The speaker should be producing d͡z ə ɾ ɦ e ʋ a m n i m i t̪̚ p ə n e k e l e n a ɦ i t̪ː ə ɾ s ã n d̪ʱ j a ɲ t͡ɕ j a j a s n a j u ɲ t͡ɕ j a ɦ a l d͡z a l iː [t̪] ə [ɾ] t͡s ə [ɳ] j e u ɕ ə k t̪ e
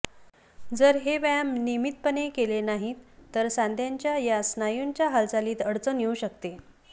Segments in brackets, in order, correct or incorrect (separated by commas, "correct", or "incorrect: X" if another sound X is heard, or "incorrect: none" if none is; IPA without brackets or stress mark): correct, incorrect: ɽ, incorrect: n